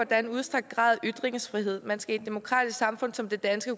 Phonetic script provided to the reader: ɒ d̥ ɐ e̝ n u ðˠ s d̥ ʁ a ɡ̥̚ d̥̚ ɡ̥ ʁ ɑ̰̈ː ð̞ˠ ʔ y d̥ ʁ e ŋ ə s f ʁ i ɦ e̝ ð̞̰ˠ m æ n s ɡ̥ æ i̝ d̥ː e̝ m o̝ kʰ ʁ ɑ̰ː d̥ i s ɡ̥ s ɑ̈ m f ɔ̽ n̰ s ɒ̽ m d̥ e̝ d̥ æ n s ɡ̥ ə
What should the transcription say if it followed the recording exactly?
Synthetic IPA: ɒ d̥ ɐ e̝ n u ðˠ s d̥ ʁ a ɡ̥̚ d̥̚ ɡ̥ ʁ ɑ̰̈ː ð̞ˠ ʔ y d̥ ʁ e ŋ ə s f ʁ i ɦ e̝ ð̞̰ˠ m æ n s ɡ̥ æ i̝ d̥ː e̝ m o̝ kʰ ʁ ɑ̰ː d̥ i s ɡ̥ s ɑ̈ m f ɔ̽ n̰ s ɒ̽ m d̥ e̝ d̥ æ n s ɡ̥ ə

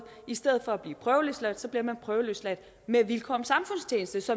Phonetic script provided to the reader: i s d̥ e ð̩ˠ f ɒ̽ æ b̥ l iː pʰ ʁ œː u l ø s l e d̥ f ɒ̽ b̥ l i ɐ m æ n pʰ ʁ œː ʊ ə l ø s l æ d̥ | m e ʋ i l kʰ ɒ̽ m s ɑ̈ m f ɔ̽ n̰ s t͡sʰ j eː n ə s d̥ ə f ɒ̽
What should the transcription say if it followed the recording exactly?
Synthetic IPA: i s d̥ e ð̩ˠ f ɒ̽ æ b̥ l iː pʰ ʁ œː ʊ l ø s l æ d̥ s ɒ̽ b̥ l i ɐ m æ n pʰ ʁ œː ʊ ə l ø s l æ d̥ | m e ʋ i l kʰ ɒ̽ m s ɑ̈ m f ɔ̽ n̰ s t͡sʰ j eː n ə s d̥ ə s ɒ̽

